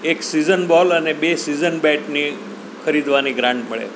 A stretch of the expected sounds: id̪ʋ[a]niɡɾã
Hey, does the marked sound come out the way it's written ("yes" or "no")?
yes